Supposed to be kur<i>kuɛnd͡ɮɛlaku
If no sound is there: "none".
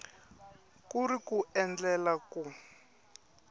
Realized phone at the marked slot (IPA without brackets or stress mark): i